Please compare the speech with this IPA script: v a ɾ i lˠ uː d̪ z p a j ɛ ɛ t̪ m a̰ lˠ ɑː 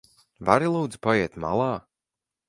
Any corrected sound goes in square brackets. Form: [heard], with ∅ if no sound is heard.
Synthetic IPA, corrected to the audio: v a ɾ i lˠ uː d̪ z p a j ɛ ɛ t̪ m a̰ lˠ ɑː